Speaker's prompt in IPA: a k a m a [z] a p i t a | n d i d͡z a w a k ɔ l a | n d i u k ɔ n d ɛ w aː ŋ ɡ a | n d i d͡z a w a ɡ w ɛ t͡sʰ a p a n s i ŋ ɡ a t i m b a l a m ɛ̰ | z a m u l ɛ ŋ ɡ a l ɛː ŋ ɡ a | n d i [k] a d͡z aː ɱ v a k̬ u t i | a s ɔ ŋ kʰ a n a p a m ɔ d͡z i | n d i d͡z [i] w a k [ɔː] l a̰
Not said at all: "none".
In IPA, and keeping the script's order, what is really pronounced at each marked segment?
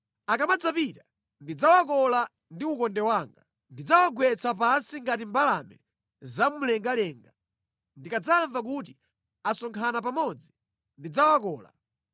d͡z, k, a, ɔː

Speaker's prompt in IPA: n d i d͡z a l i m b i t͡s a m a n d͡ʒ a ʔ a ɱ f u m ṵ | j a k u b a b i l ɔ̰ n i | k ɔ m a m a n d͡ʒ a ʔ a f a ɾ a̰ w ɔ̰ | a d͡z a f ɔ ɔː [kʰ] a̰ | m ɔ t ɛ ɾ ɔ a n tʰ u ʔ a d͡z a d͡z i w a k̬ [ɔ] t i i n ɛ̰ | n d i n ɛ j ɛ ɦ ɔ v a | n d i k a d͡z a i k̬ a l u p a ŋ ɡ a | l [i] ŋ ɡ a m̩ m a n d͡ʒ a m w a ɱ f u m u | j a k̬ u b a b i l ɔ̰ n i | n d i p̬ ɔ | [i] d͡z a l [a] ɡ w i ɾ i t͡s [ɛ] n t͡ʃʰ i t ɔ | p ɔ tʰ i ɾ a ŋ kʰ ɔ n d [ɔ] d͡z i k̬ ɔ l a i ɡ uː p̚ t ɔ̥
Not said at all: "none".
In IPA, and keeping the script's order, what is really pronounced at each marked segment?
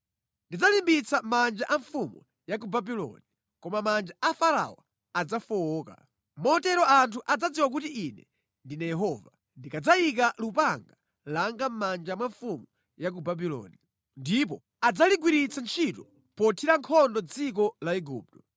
k, u, a, a, i, a, ɔ

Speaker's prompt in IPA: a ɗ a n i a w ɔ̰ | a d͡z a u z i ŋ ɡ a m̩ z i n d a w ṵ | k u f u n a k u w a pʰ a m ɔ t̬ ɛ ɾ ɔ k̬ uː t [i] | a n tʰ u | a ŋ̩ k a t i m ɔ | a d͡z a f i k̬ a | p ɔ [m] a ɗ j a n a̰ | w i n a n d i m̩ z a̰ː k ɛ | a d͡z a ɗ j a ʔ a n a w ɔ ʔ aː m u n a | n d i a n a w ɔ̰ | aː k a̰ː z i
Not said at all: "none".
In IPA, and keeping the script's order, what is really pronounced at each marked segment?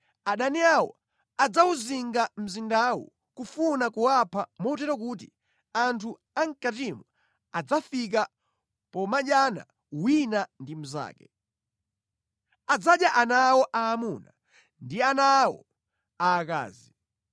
i, m

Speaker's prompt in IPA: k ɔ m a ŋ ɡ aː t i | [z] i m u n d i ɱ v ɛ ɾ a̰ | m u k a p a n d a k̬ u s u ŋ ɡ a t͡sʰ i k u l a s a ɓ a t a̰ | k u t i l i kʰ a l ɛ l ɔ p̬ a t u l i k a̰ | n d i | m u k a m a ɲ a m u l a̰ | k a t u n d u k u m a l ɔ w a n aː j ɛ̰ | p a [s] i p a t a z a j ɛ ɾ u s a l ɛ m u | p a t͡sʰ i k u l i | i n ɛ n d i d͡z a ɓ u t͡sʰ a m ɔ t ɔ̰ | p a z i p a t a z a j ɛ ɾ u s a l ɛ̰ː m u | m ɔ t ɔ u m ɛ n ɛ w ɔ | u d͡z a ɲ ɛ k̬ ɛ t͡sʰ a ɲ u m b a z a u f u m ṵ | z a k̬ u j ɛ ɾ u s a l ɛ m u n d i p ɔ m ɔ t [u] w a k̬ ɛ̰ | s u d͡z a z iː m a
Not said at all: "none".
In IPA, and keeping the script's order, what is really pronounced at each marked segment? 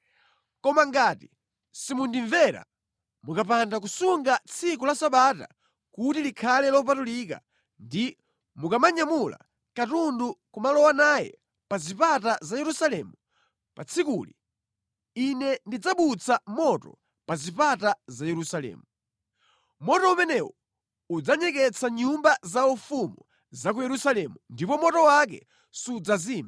s, z, ɔ

